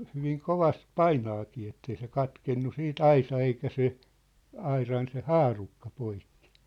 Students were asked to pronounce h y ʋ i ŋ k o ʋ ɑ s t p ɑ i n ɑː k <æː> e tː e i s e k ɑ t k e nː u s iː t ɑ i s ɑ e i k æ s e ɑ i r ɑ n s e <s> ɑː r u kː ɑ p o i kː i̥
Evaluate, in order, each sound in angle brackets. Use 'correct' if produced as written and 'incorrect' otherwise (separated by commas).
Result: incorrect, incorrect